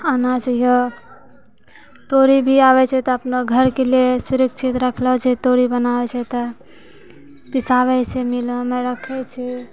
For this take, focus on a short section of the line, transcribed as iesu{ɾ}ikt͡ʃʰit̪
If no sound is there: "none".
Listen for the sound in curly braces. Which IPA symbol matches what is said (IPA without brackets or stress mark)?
ɾ